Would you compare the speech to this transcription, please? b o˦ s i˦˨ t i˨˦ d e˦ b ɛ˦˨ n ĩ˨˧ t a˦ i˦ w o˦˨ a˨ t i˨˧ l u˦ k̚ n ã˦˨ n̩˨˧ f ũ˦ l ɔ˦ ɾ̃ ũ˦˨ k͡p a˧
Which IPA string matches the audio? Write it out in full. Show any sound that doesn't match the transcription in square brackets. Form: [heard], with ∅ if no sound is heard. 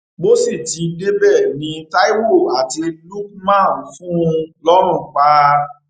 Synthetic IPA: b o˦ s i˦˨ t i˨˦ d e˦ b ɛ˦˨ n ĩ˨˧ t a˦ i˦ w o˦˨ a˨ t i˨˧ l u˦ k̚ [m] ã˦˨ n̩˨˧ f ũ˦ l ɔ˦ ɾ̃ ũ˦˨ k͡p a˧